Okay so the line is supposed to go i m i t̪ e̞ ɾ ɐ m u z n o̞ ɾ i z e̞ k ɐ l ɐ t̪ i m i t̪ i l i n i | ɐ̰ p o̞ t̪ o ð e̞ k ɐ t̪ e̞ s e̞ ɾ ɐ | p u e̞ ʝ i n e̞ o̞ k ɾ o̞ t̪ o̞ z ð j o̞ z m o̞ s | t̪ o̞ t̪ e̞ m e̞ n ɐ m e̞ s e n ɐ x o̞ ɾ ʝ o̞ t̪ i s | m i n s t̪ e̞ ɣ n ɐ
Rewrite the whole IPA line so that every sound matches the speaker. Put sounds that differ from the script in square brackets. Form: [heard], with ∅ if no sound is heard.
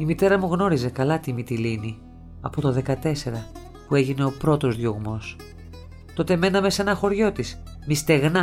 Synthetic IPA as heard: i m i t̪ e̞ ɾ ɐ m u [ɣ] n o̞ ɾ i z e̞ k ɐ l ɐ t̪ i m i t̪ i l i n i | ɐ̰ p o̞ t̪ o ð e̞ k ɐ t̪ e̞ s e̞ ɾ ɐ | p u e̞ ʝ i n e̞ o̞ [p] ɾ o̞ t̪ o̞ z ð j o̞ [ɣ] m o̞ s | t̪ o̞ t̪ e̞ m e̞ n ɐ m e̞ s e n ɐ x o̞ ɾ ʝ o̞ t̪ i s | m i [∅] s t̪ e̞ ɣ n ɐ